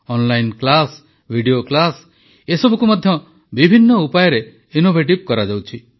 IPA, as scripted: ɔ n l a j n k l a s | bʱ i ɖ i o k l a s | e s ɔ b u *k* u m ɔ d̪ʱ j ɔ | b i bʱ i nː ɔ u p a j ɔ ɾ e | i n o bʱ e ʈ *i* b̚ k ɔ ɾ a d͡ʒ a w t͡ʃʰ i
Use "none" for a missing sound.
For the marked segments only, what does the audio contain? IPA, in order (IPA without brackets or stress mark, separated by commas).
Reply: k, i